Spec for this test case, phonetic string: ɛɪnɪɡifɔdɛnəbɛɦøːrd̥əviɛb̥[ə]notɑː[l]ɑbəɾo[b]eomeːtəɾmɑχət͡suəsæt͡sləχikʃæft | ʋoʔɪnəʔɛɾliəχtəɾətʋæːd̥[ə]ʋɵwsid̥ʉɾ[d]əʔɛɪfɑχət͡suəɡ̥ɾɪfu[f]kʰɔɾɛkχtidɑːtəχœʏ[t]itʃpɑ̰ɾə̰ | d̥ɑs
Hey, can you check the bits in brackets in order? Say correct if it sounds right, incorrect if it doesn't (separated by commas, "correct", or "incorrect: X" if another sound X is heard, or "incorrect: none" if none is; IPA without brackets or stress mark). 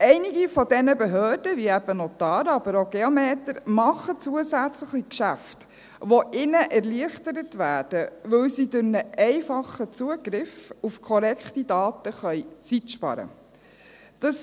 correct, incorrect: ɾ, incorrect: ɡ, correct, incorrect: n, correct, incorrect: t͡s